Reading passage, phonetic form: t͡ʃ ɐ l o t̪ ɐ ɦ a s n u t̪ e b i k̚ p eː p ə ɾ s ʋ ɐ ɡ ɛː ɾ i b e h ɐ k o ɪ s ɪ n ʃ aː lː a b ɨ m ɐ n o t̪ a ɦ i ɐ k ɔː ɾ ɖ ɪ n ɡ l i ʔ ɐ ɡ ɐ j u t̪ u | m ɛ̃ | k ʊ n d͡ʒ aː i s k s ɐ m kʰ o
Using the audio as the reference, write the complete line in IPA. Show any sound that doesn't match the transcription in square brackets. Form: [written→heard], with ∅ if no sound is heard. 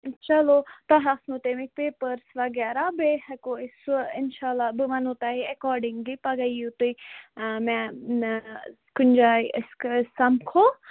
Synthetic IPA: t͡ʃ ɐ l o t̪ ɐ ɦ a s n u t̪ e [b→m] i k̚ p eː p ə ɾ s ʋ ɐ ɡ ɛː ɾ [i→a] b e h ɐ k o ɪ s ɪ n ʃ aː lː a b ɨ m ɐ n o t̪ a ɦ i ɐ k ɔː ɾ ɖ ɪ [n→ŋ] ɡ l i [ʔ→p] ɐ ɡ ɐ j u t̪ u | m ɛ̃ | k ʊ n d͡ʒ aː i s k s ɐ m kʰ o